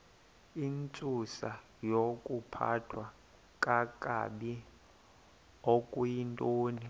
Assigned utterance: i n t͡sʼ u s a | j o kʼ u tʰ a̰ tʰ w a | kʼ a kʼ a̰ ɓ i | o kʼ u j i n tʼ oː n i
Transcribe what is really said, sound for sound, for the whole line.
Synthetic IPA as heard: i n t͡sʼ u s a | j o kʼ u pʰ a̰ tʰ w a | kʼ a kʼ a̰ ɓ i | o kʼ u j i n tʼ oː n i